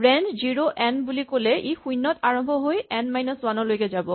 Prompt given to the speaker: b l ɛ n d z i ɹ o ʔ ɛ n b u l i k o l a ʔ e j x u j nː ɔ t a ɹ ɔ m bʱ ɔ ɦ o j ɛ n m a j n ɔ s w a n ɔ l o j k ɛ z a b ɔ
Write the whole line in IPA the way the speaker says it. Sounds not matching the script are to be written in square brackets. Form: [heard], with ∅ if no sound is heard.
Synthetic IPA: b [ɹ] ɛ n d z i ɹ o ʔ ɛ n b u l i k o l [ɛ] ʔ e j x u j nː ɔ t a ɹ ɔ m bʱ ɔ ɦ o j ɛ n m a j n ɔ s w a n ɔ l o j k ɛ z a b ɔ